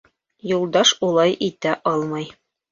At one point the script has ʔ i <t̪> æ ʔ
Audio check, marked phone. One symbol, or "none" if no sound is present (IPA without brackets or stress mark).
t̪